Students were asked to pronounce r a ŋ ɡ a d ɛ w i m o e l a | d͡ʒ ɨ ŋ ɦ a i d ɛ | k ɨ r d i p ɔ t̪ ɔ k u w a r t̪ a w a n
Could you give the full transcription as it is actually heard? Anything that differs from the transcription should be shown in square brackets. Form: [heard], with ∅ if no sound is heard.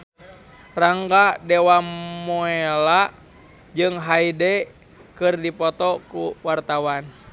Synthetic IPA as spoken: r a ŋ ɡ a d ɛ w [a] m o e l a | d͡ʒ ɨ ŋ ɦ a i d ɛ | k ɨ r d i p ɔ t̪ ɔ k u w a r t̪ a w a n